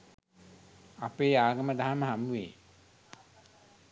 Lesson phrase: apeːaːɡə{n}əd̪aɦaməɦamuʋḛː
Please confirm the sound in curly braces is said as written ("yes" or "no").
no